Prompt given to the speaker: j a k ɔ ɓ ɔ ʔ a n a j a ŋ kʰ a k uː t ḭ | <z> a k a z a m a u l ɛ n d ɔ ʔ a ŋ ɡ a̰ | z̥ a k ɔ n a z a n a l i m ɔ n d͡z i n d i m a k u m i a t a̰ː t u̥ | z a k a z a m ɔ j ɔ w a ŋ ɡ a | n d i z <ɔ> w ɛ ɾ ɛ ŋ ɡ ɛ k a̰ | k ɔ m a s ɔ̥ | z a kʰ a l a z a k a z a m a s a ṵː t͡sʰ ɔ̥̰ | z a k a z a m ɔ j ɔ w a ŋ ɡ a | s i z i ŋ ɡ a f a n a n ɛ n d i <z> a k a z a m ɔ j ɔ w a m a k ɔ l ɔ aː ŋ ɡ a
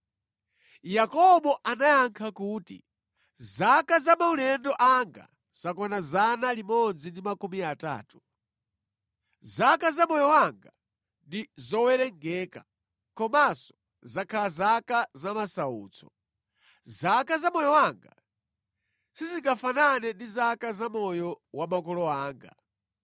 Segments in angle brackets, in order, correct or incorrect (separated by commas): correct, correct, correct